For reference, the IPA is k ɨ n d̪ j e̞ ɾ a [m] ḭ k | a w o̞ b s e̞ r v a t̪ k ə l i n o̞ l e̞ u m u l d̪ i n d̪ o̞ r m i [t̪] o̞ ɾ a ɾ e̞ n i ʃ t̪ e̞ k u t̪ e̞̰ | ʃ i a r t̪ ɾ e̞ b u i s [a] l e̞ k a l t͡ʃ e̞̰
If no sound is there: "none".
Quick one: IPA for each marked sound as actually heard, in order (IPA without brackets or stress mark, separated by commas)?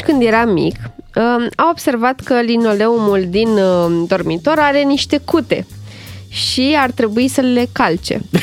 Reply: m, t̪, ə